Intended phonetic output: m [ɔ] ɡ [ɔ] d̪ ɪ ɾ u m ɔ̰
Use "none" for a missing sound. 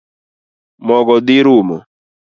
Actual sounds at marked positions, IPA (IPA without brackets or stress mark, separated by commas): ɔ, ɔ